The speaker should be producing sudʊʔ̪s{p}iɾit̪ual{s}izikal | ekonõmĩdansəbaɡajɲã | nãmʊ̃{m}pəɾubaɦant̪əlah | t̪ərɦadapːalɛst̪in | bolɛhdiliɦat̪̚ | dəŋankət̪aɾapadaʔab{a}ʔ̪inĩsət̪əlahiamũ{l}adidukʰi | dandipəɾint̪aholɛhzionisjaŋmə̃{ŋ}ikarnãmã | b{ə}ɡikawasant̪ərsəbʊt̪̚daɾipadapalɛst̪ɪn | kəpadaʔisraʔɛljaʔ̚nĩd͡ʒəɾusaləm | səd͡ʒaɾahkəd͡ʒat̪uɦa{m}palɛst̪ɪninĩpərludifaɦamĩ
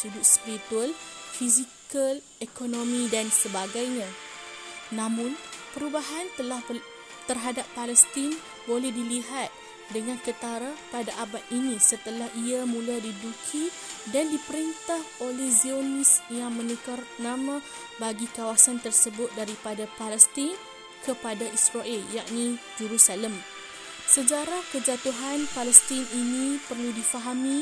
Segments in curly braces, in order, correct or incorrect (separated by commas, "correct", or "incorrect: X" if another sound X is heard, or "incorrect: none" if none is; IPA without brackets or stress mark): correct, incorrect: f, incorrect: n, correct, correct, incorrect: n, incorrect: a, incorrect: n